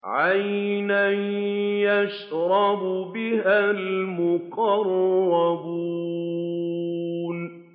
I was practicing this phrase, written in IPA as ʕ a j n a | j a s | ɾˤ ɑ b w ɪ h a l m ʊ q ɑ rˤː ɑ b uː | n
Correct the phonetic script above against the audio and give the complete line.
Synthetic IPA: ʕ a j n a | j a ʃ | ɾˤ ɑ b b ɪ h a l m ʊ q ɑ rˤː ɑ b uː | n